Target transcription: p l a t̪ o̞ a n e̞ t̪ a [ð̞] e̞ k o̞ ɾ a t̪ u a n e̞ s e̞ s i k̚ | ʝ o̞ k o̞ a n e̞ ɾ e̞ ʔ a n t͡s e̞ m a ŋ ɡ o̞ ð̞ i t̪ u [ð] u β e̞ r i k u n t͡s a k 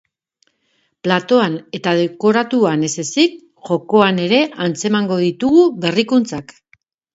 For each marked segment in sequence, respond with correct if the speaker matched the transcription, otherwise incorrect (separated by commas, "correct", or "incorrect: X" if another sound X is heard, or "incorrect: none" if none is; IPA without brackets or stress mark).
correct, incorrect: ɣ